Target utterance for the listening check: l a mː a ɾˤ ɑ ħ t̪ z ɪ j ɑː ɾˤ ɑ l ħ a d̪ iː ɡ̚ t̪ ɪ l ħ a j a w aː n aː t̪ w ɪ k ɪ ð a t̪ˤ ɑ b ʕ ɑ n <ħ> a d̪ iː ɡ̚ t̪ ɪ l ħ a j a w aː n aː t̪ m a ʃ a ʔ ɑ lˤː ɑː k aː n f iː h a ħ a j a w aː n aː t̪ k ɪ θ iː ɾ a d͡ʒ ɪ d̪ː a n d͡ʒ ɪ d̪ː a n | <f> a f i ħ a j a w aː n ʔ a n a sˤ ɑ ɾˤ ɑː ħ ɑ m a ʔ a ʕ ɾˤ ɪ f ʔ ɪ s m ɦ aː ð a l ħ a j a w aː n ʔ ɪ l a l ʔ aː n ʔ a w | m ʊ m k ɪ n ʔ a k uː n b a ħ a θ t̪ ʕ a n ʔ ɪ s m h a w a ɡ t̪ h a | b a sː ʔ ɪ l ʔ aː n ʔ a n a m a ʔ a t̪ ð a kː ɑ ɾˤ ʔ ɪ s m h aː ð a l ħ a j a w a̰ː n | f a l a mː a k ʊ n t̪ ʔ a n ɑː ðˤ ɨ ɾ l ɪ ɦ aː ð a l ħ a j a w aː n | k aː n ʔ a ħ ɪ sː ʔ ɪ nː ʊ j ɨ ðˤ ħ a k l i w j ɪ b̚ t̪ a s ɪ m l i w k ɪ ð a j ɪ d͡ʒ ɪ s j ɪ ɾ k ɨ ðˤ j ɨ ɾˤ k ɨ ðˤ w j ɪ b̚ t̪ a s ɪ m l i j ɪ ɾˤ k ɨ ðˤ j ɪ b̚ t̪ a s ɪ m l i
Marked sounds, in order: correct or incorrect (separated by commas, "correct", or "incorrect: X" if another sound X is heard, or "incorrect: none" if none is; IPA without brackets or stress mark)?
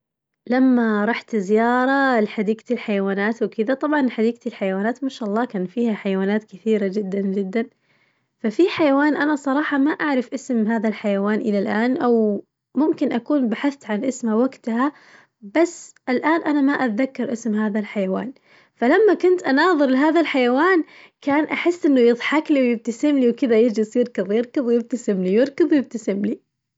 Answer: correct, correct